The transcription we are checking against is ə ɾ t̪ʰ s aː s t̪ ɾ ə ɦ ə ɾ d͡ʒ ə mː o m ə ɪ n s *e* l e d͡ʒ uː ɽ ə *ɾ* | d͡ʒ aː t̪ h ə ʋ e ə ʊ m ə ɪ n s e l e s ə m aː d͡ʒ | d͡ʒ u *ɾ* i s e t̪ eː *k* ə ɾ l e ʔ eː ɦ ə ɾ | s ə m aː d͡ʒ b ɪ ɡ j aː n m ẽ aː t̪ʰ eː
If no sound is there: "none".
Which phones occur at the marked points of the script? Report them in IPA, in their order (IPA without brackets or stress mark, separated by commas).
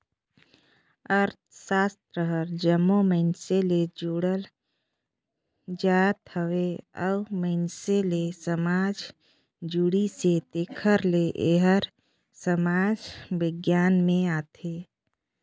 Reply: e, l, ɽ, kʰ